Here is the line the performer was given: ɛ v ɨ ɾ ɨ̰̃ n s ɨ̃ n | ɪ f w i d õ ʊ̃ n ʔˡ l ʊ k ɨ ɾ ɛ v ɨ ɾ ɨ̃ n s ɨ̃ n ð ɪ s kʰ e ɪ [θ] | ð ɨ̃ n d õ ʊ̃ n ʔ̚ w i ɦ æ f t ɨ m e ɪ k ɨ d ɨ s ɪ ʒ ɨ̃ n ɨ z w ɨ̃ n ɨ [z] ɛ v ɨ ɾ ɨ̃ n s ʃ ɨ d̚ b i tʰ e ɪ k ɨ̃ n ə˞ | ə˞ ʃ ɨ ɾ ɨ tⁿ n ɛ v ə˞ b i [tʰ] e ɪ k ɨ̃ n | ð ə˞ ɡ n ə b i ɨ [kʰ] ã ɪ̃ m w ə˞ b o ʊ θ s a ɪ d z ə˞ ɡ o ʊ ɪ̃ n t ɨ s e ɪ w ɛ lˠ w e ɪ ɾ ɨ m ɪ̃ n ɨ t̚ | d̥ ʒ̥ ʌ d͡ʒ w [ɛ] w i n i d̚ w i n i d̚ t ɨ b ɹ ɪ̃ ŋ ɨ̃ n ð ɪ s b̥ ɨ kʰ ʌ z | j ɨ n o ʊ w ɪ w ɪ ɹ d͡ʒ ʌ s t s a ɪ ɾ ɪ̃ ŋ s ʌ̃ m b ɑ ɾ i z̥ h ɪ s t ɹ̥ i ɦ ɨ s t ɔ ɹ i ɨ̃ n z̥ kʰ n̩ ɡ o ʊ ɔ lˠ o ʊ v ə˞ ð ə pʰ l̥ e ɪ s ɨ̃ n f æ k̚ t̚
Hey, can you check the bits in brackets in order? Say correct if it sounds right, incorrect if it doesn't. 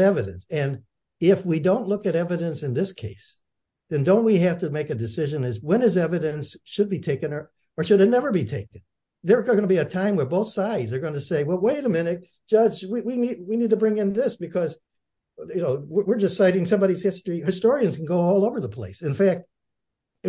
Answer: incorrect: s, correct, correct, incorrect: tʰ, incorrect: i

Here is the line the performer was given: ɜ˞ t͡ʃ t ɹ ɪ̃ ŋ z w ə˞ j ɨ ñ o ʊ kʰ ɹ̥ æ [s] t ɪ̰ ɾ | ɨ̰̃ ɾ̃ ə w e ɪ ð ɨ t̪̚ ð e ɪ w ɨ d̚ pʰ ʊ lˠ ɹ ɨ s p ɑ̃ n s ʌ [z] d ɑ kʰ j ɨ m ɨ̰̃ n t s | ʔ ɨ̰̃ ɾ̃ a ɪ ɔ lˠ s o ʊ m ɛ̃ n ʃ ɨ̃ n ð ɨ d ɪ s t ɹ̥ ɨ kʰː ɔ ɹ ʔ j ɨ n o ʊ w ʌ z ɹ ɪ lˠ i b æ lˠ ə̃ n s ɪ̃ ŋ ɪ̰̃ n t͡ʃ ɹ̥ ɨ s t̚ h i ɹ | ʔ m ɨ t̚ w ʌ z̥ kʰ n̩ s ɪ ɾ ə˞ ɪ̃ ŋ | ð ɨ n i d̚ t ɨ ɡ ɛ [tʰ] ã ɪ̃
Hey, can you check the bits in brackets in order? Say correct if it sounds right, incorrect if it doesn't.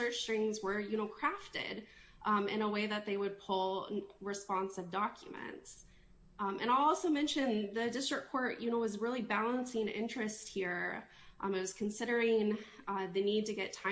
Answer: incorrect: f, incorrect: v, correct

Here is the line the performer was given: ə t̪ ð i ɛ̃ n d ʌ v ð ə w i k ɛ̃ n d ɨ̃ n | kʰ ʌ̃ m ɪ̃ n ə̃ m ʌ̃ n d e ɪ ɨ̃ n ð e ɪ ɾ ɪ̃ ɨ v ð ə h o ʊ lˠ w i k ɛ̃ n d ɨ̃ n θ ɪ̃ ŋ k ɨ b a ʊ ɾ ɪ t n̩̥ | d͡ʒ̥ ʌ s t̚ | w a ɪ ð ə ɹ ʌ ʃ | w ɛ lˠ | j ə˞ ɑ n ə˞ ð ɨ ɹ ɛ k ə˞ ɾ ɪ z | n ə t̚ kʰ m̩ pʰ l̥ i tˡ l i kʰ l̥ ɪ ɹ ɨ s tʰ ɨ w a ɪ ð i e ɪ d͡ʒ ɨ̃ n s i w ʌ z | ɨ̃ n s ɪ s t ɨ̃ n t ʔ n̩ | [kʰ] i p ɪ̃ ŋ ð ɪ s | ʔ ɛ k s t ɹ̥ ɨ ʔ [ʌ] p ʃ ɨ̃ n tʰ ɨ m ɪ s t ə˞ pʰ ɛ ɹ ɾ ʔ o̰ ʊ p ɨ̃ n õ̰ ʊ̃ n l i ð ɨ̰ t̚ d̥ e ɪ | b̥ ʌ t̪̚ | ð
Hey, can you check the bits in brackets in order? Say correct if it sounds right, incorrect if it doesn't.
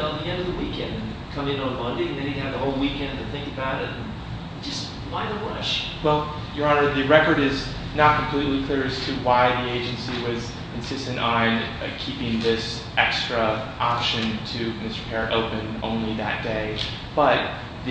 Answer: correct, incorrect: ɑ

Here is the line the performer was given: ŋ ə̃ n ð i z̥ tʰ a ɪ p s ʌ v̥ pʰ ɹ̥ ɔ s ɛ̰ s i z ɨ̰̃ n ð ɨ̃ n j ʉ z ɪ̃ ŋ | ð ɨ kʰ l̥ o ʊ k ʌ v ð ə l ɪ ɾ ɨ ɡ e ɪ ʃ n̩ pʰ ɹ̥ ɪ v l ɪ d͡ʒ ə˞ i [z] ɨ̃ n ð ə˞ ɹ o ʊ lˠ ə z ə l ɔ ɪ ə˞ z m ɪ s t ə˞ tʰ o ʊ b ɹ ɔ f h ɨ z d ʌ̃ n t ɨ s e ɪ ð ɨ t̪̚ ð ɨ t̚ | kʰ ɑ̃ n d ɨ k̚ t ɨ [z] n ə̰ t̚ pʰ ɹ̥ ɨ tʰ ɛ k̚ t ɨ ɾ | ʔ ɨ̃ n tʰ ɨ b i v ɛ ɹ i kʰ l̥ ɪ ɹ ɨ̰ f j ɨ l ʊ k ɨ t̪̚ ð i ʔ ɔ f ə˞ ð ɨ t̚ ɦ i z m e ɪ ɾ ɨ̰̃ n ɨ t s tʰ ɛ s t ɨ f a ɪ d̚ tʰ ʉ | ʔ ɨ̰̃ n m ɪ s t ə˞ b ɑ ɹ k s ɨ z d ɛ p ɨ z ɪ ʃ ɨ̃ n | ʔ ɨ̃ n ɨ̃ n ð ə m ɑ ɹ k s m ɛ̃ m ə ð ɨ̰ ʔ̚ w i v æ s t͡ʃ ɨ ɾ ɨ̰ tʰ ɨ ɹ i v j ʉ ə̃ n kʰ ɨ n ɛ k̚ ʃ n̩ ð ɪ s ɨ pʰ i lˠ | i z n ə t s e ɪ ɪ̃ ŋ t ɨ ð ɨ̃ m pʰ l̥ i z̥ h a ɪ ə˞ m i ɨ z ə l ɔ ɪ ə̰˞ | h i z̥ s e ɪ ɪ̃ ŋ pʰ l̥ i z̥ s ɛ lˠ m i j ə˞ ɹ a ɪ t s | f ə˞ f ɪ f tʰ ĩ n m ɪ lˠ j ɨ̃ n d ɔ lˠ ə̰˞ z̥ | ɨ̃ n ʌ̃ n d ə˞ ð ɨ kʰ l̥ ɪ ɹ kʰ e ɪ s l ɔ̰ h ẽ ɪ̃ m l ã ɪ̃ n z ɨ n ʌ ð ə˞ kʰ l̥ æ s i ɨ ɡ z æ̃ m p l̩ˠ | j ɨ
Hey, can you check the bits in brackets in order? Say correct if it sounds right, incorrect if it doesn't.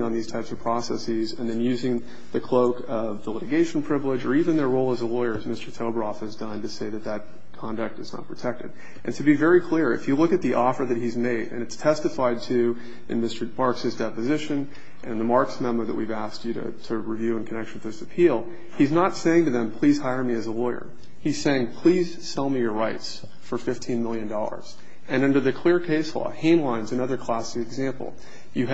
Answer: incorrect: v, correct

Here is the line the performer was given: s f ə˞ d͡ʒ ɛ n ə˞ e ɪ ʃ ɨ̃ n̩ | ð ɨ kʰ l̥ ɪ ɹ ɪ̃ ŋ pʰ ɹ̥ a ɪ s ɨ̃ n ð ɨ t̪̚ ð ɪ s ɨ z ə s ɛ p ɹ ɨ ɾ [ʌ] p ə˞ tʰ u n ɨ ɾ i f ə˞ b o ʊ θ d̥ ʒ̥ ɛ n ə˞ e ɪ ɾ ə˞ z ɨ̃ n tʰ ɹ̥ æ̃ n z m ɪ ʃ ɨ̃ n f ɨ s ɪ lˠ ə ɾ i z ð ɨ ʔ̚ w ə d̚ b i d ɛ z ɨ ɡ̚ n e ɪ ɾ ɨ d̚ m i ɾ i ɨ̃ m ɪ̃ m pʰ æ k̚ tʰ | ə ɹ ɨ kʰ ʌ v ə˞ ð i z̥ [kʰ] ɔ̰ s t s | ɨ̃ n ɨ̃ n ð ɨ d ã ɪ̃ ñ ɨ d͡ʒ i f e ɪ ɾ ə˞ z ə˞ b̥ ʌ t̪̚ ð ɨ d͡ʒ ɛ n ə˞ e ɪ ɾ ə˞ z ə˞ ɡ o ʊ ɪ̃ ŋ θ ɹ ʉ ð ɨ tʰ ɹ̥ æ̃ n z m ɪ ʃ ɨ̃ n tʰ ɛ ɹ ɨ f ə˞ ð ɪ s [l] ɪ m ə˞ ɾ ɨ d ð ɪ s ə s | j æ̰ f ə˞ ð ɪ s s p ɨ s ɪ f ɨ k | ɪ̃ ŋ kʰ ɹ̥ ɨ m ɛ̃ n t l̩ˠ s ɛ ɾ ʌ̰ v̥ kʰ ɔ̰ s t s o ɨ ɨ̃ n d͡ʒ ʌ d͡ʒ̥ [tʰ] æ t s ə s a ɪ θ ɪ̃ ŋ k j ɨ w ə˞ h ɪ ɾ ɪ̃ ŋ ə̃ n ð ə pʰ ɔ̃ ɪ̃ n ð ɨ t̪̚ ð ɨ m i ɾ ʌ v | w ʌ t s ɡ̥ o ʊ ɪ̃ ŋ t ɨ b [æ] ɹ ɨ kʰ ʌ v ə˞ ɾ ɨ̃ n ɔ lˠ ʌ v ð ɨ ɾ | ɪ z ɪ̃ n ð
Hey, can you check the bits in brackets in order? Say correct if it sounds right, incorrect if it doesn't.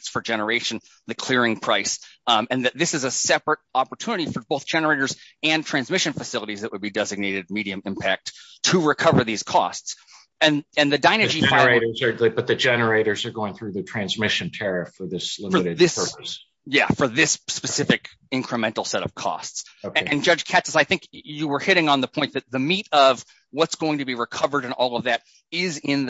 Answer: incorrect: ɑ, correct, correct, incorrect: kʰ, incorrect: i

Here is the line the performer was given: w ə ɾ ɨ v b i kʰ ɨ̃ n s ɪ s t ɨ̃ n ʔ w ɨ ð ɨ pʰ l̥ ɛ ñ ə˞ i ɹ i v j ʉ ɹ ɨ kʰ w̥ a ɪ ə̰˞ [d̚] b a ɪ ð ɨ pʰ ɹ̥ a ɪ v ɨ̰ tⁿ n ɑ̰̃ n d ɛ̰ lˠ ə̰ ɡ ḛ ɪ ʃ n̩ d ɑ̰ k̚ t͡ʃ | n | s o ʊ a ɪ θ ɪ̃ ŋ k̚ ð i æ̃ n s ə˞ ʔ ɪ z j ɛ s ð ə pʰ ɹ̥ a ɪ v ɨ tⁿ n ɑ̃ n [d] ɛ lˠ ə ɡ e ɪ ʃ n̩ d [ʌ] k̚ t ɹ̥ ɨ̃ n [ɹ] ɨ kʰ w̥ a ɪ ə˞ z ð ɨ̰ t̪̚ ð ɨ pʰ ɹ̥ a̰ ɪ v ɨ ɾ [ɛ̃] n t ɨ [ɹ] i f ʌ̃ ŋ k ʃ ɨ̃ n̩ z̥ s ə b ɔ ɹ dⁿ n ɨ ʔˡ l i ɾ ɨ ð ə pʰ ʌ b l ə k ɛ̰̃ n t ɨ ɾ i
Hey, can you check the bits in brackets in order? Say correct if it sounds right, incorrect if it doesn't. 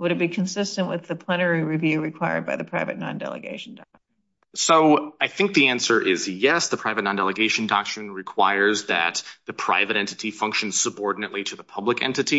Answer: correct, correct, incorrect: ɑ, correct, correct, incorrect: ɾ

